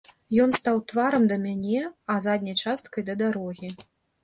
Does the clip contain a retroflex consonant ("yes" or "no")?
yes